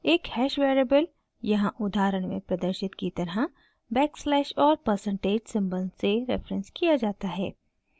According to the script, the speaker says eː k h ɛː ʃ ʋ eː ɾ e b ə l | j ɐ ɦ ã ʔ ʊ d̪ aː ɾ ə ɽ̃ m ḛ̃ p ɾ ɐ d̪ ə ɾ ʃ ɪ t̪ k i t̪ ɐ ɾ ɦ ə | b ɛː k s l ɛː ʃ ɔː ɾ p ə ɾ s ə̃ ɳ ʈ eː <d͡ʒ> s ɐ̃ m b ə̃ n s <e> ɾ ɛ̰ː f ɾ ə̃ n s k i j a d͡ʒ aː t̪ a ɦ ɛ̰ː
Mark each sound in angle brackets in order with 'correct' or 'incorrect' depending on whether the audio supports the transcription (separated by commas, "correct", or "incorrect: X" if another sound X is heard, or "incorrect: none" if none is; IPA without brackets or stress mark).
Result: correct, correct